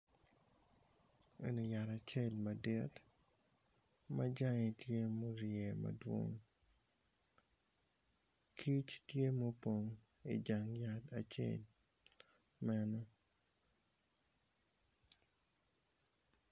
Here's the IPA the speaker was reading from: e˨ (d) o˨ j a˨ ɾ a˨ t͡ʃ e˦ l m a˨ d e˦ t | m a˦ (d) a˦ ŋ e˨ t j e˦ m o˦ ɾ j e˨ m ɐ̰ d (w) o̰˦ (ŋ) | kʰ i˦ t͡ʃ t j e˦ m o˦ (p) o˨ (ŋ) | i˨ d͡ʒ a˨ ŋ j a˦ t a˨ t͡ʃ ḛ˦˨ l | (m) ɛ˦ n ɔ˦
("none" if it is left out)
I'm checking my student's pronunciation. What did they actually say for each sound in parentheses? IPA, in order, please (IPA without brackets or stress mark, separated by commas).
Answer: n, d͡ʒ, w, ŋ, p, ŋ, m